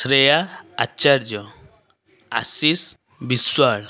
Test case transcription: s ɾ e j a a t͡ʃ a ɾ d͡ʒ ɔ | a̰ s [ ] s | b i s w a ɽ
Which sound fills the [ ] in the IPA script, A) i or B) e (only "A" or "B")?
A